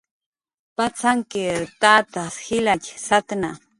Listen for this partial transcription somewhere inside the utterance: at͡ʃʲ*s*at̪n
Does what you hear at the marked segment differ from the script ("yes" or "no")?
no